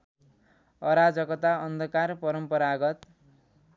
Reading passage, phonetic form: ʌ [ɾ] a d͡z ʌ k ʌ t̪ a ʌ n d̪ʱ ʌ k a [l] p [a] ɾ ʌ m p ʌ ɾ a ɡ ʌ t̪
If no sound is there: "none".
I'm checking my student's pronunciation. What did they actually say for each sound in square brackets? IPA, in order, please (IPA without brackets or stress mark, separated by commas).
ɾ, r, ʌ